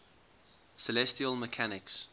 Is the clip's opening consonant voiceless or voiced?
voiceless